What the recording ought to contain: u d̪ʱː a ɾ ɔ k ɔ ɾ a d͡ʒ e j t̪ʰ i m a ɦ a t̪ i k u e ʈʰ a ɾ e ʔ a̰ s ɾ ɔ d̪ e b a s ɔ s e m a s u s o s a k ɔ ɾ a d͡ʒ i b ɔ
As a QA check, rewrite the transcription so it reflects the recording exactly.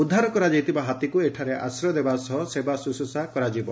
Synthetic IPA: u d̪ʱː a ɾ ɔ k ɔ ɾ a d͡ʒ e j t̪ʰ i b a ɦ a t̪ i k u e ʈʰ a ɾ e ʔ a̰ s ɾ ɔ d̪ e b a s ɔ s e b a s u s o s a k ɔ ɾ a d͡ʒ i b ɔ